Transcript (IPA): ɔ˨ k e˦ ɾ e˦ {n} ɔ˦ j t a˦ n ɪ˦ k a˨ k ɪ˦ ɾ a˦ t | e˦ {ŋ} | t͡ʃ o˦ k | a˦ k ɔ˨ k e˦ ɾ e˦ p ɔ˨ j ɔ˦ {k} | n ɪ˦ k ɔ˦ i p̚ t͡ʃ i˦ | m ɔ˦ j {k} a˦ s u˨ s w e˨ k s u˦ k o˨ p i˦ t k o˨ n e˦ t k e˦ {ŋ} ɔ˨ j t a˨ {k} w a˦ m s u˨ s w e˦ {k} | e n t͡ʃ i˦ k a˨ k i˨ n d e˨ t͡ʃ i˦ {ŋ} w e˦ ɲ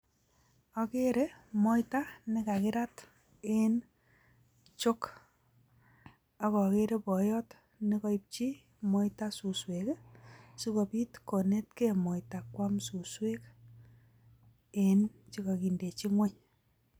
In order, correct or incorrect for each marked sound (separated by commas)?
incorrect, incorrect, incorrect, incorrect, incorrect, correct, correct, correct